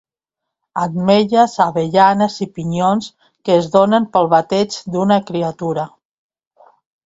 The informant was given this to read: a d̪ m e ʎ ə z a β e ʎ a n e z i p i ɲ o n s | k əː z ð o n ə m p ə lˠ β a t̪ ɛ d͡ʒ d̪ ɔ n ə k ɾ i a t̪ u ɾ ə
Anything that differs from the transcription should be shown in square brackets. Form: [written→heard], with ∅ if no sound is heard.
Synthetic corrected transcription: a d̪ m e ʎ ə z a β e ʎ a n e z i p i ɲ o n s | k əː z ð o n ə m p ə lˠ β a t̪ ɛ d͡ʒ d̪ [ɔ→u] n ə k ɾ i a t̪ u ɾ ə

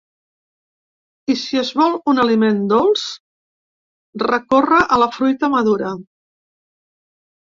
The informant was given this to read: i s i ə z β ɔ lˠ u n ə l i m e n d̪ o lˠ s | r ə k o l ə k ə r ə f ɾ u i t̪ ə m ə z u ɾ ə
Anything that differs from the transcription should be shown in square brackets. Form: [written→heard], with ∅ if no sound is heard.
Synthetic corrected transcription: i s i ə z β ɔ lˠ u n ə l i m e n d̪ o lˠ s | r ə k o [l→r] ə [k→ʔ] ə [r→l] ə f ɾ u [i→j] t̪ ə m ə [z→ð] u ɾ ə

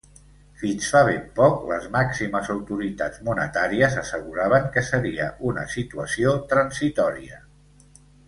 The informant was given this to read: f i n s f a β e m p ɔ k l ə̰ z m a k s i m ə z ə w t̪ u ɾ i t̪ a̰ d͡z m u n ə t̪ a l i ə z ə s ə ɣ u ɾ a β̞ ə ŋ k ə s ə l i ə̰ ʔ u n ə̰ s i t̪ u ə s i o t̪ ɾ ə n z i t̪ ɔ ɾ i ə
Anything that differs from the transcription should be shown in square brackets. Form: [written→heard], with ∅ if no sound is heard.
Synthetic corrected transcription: f i n s f a β e m p ɔ k l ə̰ z m a k s i m ə z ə w t̪ u ɾ i t̪ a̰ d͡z m u n ə t̪ a [l→ɾ] i ə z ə s ə ɣ u ɾ a β̞ ə ŋ k ə s ə [l→ɾ] i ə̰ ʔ u n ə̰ s i t̪ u ə s i o t̪ ɾ ə n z i t̪ ɔ ɾ i ə

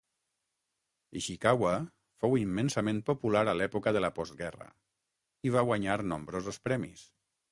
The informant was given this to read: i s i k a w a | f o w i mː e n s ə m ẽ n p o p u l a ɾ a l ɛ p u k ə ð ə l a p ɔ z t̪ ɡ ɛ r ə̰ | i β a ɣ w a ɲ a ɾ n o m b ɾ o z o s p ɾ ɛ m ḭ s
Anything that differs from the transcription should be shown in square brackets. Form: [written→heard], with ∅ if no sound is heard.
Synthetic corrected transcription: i [s→ʃ] i k a w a | f o w i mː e n s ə m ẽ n p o p u l a ɾ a l ɛ p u k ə ð ə l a p ɔ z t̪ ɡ ɛ r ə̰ | i β a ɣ w a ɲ a ɾ n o m b ɾ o z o s p ɾ ɛ m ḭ s

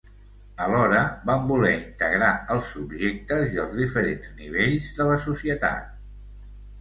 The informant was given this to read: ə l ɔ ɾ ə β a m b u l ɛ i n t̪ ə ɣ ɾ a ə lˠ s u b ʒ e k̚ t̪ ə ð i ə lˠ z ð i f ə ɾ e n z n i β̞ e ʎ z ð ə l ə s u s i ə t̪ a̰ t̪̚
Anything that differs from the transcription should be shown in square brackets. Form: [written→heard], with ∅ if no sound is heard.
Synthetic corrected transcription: ə l ɔ ɾ ə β a m b u l ɛ i n t̪ ə ɣ ɾ a ə lˠ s u b ʒ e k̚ t̪ ə [ð→z] i ə lˠ z ð i f ə ɾ e n z n i β̞ e ʎ z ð ə l ə s u s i ə t̪ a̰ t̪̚

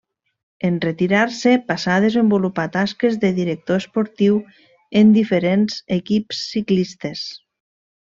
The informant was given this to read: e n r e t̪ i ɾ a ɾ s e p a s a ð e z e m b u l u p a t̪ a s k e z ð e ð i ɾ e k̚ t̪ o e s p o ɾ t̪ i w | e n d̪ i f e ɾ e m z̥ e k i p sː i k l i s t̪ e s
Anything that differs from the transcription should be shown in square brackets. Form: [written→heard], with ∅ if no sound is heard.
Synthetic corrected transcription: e n r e t̪ i ɾ a ɾ s e p a s a ð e z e m b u l u p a t̪ a s k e z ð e ð i ɾ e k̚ t̪ o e s p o ɾ t̪ i w | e n d̪ i f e ɾ e [m→n] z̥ e k i p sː i k l i s t̪ e s

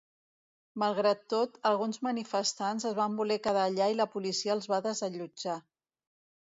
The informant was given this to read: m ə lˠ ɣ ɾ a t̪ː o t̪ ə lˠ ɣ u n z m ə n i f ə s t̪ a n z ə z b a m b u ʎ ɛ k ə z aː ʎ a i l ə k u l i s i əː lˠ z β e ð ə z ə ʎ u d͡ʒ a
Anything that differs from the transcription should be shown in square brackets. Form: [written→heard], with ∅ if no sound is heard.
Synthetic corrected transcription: m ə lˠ ɣ ɾ a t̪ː o t̪ ə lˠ ɣ u n z m ə n i f ə s t̪ a n z ə z [b→β] a m b u [ʎ→l] ɛ k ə [z→ð] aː ʎ a i l ə [k→p] u l i s i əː lˠ z β [e→a] ð ə z ə ʎ u d͡ʒ a

